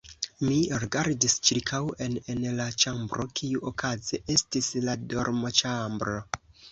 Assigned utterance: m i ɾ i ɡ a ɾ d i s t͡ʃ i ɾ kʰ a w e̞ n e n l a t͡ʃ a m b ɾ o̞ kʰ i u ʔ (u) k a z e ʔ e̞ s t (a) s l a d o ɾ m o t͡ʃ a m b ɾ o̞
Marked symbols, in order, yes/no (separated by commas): no, no